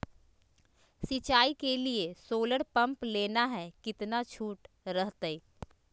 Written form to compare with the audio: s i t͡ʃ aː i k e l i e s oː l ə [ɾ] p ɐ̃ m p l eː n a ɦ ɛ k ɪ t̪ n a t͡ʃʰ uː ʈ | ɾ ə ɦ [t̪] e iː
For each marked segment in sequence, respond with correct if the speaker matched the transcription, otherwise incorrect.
incorrect, correct

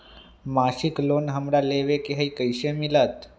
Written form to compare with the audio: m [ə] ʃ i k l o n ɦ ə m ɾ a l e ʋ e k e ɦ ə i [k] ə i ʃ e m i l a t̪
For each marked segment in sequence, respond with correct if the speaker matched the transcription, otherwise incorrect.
incorrect, correct

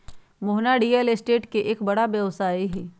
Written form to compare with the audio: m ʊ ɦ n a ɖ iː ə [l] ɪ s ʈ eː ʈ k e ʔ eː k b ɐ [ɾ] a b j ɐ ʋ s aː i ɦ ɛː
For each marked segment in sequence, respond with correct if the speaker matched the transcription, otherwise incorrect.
correct, incorrect

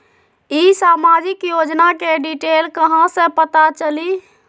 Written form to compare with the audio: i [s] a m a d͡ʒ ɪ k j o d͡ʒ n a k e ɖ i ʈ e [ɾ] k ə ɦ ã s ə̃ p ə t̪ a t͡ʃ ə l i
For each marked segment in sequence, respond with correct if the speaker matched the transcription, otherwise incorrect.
correct, incorrect

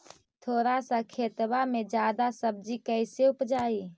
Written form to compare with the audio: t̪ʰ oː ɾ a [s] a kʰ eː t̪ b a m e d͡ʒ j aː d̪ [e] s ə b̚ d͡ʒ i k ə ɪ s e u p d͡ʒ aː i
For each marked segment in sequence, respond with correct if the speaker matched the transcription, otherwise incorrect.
correct, incorrect

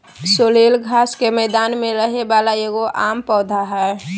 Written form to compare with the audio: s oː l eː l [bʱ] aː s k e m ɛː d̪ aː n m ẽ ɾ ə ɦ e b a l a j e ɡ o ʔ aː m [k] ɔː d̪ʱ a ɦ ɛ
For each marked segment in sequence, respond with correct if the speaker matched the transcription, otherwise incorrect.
incorrect, incorrect

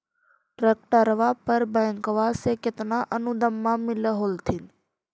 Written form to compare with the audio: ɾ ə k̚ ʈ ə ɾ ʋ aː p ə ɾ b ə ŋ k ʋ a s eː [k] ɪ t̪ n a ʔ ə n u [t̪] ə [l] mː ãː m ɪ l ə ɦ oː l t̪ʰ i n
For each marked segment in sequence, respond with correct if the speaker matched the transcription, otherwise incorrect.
correct, incorrect, incorrect

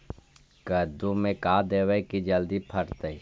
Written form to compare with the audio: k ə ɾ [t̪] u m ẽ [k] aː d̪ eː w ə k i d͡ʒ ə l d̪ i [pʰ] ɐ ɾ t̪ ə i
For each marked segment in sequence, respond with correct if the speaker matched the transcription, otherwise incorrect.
incorrect, correct, correct

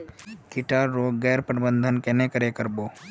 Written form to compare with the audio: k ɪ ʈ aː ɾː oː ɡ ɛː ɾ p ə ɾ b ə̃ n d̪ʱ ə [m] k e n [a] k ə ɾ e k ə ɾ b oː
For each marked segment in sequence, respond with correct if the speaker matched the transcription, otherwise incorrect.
incorrect, incorrect

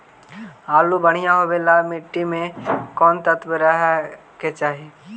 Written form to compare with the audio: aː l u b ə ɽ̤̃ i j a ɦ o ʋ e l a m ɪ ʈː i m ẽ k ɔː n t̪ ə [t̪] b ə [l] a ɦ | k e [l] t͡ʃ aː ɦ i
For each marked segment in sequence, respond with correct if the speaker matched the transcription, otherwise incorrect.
correct, incorrect, incorrect

